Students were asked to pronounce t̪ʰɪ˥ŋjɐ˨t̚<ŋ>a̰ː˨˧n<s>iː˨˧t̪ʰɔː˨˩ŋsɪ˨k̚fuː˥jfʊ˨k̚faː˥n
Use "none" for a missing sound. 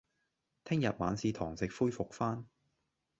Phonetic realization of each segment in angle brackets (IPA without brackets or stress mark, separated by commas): m, s